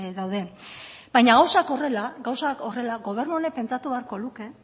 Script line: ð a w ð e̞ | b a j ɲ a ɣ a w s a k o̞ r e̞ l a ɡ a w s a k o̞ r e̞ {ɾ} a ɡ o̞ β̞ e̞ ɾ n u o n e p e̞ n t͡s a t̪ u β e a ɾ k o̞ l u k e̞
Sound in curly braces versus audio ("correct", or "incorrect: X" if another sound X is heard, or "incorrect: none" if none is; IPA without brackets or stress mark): incorrect: l